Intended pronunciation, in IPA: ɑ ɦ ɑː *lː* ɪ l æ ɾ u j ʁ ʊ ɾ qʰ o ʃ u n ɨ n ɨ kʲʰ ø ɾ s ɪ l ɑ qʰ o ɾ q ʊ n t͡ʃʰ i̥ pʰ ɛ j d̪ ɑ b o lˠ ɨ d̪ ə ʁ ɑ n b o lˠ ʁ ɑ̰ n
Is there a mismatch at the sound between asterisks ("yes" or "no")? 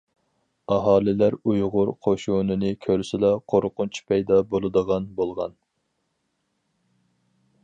yes